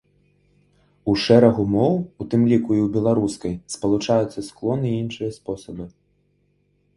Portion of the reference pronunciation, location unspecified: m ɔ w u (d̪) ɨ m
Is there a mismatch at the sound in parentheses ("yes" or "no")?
yes